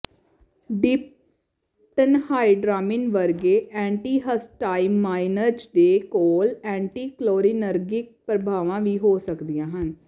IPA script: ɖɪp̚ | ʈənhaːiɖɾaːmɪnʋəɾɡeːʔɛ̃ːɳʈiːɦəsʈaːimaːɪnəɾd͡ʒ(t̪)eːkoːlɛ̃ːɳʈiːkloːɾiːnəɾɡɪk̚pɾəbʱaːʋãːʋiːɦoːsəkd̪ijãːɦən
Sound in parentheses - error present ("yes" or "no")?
yes